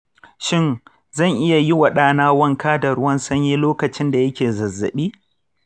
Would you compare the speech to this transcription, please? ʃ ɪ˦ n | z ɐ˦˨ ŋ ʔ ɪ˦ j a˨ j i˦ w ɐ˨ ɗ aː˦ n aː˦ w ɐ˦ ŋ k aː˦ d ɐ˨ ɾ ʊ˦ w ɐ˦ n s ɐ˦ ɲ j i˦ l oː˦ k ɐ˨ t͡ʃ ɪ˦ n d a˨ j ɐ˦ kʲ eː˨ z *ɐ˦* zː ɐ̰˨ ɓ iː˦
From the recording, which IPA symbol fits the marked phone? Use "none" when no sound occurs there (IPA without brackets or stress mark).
ɐ˨